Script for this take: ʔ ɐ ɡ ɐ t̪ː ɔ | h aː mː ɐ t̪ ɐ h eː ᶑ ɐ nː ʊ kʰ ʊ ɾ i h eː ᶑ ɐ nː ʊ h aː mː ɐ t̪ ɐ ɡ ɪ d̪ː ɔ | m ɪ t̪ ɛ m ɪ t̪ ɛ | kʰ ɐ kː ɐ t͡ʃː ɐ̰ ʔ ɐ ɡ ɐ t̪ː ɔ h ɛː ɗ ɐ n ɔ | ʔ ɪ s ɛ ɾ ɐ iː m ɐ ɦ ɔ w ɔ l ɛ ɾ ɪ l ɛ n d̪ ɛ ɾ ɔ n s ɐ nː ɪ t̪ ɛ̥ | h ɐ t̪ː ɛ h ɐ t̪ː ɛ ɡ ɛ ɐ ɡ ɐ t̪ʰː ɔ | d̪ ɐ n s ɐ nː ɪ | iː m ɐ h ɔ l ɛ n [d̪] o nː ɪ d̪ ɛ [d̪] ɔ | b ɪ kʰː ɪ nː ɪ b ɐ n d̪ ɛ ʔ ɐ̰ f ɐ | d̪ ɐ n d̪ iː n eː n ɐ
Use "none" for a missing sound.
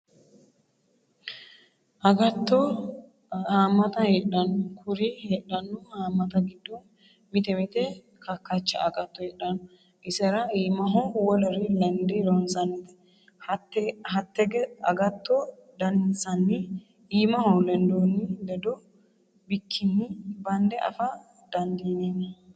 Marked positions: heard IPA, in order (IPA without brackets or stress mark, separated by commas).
d̪, d̪